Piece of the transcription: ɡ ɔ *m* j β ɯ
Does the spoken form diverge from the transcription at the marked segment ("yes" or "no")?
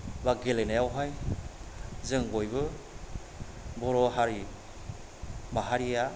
yes